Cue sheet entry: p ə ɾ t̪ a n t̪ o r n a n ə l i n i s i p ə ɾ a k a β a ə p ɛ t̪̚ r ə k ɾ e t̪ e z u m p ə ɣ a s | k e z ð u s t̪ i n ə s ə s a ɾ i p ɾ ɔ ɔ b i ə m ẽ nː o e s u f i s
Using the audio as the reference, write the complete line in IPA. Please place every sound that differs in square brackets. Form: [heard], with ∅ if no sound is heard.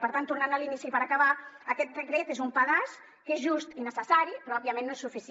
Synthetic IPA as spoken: p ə ɾ t̪ a n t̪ [u] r n a n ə l i n i s i p ə ɾ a k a β a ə [k] ɛ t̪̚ r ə k ɾ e t̪ e z u m p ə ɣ a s | k e z [ʒ] u s t̪ i n ə s ə s a ɾ i p ɾ ɔ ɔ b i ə m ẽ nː o e s u f i s